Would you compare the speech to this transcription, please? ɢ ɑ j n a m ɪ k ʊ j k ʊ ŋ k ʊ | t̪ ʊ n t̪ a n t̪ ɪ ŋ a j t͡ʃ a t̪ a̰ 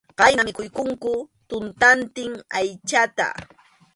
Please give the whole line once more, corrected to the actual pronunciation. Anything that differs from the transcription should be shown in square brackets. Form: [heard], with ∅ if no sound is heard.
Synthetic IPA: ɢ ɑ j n a m ɪ k ʊ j k ʊ ŋ k ʊ | t̪ ʊ n t̪ a n t̪ ɪ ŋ a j t͡ʃ a t̪ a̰

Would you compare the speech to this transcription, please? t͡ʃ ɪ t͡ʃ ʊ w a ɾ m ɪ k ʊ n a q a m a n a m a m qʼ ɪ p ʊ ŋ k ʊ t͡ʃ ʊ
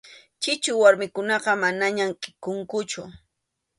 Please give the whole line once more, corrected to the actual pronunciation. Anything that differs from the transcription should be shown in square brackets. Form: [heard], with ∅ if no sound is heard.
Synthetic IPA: t͡ʃ ɪ t͡ʃ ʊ w a ɾ m ɪ k ʊ n [ɑ] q [ɑ] m a n a [ɲ] a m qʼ ɪ [k] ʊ ŋ k ʊ t͡ʃ ʊ

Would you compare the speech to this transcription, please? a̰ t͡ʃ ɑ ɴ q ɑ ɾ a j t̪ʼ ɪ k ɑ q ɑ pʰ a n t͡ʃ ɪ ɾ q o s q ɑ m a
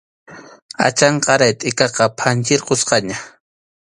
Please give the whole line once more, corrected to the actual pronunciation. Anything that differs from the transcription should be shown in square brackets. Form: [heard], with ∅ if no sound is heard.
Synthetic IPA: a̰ t͡ʃ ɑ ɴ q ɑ ɾ a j t̪ʼ ɪ k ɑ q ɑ pʰ a n t͡ʃ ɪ ɾ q o s q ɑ [ɲ] a

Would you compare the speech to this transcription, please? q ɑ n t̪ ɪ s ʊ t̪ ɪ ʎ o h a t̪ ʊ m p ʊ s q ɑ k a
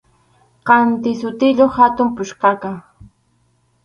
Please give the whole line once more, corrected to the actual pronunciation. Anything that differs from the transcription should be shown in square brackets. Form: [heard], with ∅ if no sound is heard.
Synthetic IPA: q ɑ n t̪ ɪ s ʊ t̪ ɪ ʎ o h a t̪ ʊ m p ʊ [ʃ] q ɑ k a

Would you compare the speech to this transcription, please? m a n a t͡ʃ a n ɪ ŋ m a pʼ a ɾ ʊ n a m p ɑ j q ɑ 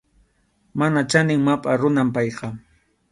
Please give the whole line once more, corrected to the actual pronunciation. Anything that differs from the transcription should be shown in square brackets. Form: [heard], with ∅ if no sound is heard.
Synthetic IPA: m a n a t͡ʃ a n ɪ ŋ m a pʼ a ɾ ʊ n a m p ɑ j q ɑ

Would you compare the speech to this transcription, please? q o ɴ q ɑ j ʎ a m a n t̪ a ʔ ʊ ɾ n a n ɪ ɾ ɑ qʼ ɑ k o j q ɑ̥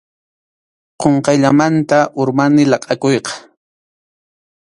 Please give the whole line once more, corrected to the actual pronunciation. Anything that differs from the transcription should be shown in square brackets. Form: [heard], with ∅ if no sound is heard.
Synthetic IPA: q o ɴ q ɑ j ʎ a m a n t̪ a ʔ ʊ ɾ [m] a n ɪ [l] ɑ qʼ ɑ k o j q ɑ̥

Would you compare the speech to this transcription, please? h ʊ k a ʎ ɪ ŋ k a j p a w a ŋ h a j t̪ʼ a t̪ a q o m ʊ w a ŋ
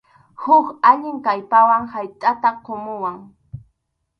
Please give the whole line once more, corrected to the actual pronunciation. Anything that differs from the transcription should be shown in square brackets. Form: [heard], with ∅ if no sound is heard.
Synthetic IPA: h ʊ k a ʎ ɪ ŋ k a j p a w a ŋ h a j t̪ʼ a t̪ a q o m ʊ w a ŋ

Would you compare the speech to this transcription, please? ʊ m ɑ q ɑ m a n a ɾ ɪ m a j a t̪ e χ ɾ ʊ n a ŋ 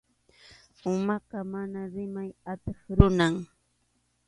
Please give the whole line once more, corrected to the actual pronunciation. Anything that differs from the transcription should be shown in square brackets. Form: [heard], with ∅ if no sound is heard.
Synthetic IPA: ʊ m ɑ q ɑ m a n a ɾ ɪ m a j a t̪ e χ ɾ ʊ n a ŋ

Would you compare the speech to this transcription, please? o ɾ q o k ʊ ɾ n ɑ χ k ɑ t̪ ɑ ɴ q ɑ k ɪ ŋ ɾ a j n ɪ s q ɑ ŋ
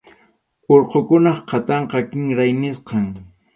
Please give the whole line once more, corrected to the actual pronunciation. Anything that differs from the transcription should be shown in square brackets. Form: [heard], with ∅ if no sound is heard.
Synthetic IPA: o ɾ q o k ʊ [∅] n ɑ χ [q] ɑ t̪ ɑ ɴ q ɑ k ɪ ŋ ɾ a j n ɪ s q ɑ ŋ

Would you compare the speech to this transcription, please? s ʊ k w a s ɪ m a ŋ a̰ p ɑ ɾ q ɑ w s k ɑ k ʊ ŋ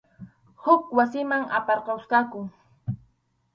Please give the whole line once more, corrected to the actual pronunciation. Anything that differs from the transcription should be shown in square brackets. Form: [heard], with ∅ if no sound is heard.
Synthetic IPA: [h] ʊ k w a s ɪ m a ŋ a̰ p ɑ ɾ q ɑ w s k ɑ k ʊ ŋ

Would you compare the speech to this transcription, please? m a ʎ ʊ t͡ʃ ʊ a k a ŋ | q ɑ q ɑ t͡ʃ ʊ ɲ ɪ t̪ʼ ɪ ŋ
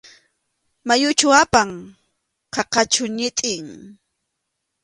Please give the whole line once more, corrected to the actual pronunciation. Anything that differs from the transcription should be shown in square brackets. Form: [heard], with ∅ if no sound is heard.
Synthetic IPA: m a [j] ʊ t͡ʃ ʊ a [p] a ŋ | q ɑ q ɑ t͡ʃ ʊ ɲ ɪ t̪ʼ ɪ ŋ

